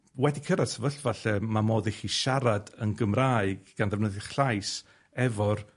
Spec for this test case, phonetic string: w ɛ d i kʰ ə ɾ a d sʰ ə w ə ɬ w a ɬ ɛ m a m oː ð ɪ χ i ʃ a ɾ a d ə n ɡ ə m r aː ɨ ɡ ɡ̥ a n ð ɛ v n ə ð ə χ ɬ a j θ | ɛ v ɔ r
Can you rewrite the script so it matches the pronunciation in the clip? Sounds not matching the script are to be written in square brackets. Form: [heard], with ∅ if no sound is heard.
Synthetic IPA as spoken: w ɛ d i kʰ ə ɾ a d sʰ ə [v] ə ɬ [v] a ɬ ɛ m a m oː ð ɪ χ i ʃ a ɾ a d ə n ɡ ə m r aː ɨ ɡ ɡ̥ a n ð ɛ v n ə ð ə χ ɬ a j [s] | ɛ v ɔ r